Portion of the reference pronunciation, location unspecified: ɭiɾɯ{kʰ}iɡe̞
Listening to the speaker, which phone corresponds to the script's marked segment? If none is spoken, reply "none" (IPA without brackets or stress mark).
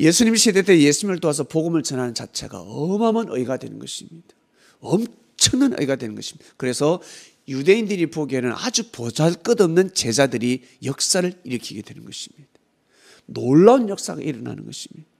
kʰ